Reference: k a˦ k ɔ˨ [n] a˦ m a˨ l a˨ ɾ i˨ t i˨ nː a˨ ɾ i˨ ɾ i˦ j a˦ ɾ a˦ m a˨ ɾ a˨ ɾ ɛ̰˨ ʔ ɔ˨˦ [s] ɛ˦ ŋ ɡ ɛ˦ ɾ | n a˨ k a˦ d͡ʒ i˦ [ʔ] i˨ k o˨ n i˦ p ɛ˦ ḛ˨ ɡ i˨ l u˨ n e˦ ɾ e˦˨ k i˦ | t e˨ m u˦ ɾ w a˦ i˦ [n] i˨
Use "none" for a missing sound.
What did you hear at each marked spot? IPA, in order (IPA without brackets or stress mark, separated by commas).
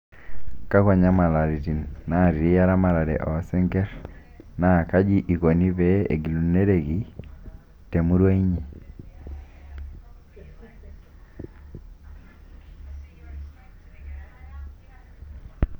ɲ, s, ʔ, ɲ